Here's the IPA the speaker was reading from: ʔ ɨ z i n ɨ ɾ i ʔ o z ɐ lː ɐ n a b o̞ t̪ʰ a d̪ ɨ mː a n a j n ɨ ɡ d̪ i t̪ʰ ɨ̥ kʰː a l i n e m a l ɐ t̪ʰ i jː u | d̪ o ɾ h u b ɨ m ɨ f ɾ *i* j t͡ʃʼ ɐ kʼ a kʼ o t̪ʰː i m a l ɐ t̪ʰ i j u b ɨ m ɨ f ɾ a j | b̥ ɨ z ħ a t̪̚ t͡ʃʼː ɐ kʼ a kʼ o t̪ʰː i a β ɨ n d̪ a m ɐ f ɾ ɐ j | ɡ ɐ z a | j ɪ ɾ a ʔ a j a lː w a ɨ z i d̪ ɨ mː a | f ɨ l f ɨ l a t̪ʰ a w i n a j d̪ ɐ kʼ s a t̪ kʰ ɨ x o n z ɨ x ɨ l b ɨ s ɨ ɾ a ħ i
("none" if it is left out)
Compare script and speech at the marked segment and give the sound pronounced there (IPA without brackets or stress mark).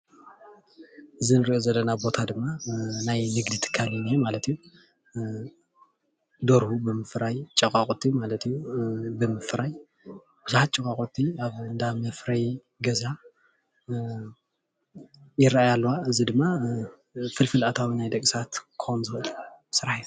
a